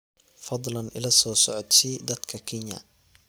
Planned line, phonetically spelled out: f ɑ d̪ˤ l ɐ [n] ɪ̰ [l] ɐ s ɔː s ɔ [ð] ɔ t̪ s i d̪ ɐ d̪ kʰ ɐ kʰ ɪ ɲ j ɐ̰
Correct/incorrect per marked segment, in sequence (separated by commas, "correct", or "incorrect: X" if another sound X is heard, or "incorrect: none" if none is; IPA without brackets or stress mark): correct, correct, incorrect: ʕ